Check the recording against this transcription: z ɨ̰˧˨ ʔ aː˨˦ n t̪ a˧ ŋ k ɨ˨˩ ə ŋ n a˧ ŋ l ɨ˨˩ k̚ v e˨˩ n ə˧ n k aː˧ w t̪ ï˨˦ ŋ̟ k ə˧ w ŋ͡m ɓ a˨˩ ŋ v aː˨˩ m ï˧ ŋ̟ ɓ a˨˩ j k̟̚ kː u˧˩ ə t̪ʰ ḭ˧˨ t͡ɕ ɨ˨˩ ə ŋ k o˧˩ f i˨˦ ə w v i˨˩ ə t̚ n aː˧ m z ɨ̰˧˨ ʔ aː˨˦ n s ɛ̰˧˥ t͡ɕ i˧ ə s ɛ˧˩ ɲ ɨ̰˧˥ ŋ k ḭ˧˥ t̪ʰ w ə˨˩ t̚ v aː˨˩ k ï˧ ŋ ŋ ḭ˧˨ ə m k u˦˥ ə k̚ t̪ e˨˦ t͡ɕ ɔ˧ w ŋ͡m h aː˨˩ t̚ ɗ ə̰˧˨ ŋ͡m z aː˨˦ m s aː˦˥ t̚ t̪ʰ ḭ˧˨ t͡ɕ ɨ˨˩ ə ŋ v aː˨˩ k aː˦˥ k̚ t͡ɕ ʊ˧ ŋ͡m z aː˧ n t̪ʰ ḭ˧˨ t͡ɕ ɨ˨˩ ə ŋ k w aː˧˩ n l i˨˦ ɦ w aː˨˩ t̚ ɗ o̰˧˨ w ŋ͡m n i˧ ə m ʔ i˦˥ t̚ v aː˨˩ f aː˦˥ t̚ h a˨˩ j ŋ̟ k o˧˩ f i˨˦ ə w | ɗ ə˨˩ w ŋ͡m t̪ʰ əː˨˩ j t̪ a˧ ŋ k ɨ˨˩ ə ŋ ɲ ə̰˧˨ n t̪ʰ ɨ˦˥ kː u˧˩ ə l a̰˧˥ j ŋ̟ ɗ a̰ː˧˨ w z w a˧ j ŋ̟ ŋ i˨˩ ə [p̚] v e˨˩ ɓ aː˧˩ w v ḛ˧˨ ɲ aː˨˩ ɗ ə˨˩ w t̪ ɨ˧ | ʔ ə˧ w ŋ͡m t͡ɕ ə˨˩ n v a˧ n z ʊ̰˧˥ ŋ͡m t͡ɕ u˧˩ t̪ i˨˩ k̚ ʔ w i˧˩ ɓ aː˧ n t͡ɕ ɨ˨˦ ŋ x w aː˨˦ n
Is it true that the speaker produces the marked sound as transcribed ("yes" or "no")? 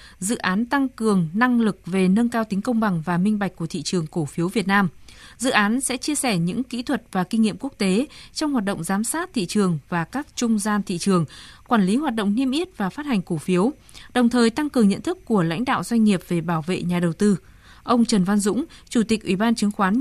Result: yes